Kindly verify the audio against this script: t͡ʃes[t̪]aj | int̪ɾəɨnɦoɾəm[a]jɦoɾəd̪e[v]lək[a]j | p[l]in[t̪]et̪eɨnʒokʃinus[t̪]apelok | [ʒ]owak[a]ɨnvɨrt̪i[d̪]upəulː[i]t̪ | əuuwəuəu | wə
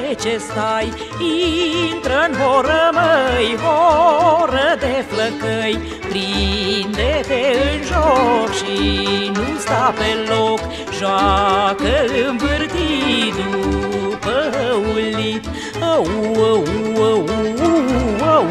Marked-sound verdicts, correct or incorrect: correct, incorrect, incorrect, incorrect, incorrect, incorrect, correct, correct, incorrect, correct, correct

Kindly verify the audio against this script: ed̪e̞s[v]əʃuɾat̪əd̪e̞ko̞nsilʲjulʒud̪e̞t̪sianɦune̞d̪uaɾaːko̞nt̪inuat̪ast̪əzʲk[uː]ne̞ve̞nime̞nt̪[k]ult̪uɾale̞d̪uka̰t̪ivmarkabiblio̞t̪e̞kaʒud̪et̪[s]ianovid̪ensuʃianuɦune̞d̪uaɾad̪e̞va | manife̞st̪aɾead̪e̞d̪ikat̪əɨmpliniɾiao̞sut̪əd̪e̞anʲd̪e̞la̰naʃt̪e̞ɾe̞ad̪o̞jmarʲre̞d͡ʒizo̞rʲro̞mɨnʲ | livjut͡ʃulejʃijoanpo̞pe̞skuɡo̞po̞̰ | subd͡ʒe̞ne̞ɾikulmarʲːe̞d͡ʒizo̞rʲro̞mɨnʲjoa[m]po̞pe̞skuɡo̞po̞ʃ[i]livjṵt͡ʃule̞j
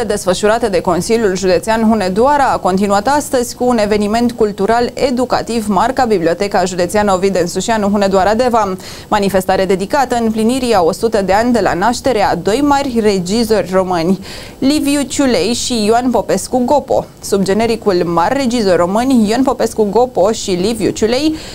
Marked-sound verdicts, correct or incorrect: incorrect, correct, correct, correct, incorrect, correct

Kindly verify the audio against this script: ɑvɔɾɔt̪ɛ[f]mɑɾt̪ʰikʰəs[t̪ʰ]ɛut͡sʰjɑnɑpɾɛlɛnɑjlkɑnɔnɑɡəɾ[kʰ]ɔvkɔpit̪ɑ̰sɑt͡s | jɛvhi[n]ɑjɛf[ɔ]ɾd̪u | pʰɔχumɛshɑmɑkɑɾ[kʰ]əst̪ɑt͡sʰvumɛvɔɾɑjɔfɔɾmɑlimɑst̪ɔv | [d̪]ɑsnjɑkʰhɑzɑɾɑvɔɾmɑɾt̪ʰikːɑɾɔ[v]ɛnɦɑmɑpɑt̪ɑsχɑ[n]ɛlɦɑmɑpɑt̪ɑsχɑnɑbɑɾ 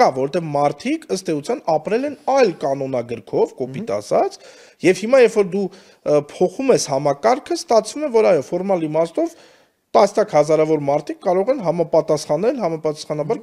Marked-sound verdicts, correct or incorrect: incorrect, incorrect, correct, incorrect, correct, correct, incorrect, incorrect, correct

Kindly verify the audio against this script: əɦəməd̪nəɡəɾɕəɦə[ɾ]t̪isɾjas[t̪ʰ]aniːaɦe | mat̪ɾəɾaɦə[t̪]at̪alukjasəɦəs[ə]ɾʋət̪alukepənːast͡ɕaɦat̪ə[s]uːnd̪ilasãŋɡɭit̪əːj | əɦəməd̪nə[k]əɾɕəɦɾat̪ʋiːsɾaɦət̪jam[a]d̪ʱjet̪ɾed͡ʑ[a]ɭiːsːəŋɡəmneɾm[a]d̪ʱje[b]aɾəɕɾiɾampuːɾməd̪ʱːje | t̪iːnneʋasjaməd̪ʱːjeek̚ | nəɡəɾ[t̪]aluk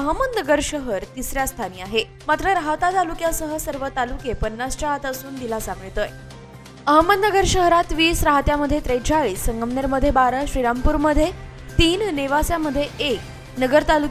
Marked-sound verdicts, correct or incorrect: correct, correct, correct, correct, correct, incorrect, incorrect, correct, incorrect, correct, correct

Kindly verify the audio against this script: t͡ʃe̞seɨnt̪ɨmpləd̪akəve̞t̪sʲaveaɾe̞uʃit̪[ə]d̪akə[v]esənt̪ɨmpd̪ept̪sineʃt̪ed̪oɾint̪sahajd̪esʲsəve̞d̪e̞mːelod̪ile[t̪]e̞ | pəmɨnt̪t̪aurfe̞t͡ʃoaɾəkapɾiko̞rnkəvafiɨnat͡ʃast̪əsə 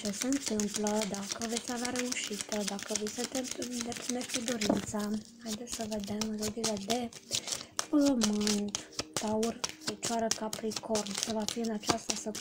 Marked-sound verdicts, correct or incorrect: correct, correct, incorrect

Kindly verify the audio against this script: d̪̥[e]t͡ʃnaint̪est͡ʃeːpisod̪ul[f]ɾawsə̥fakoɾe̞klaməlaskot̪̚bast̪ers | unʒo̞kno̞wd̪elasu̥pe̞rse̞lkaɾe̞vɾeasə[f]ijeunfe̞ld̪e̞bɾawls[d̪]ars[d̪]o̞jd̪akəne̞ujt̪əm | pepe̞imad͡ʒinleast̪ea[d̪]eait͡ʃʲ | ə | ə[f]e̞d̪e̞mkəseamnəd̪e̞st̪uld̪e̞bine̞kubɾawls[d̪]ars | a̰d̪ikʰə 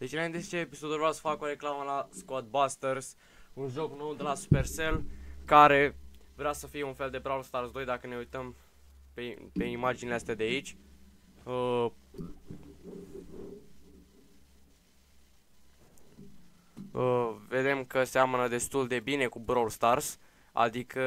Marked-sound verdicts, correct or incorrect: correct, incorrect, correct, incorrect, correct, correct, incorrect, incorrect

